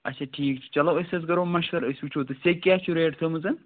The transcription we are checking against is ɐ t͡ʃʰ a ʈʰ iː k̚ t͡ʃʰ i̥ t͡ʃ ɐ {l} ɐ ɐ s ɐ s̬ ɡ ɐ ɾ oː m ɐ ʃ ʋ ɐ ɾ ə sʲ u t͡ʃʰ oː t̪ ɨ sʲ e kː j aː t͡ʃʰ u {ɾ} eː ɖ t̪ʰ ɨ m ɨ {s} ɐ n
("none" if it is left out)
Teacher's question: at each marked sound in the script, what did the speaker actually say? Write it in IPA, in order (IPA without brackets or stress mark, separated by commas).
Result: l, ɾ, z